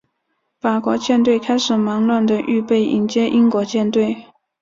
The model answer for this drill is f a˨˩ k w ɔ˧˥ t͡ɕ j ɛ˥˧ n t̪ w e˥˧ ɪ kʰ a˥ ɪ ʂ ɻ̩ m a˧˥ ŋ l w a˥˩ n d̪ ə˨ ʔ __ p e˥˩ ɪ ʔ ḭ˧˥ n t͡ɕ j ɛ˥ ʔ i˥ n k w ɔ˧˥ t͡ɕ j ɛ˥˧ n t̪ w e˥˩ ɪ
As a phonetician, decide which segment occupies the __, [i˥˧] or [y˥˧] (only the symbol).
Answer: y˥˧